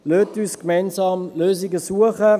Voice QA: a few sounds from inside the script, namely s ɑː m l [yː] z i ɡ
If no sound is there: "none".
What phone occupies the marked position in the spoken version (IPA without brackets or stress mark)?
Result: øː